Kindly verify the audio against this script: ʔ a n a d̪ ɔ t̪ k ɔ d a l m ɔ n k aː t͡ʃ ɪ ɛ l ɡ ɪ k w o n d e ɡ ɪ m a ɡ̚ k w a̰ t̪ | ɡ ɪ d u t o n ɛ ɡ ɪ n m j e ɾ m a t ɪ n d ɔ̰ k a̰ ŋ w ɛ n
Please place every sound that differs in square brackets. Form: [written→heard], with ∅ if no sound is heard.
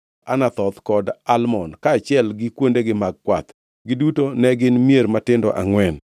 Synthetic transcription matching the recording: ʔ a n a [d̪→t̪] ɔ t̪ k ɔ d a l m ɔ n k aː t͡ʃ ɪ ɛ l ɡ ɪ k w o n d e ɡ ɪ m a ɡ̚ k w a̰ t̪ | ɡ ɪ d u t o n ɛ ɡ ɪ n m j e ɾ m a t ɪ n d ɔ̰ [k→ʔ] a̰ ŋ w ɛ n